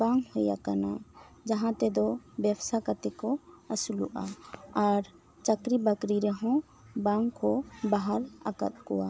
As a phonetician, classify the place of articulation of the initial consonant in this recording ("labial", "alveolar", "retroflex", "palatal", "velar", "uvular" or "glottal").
labial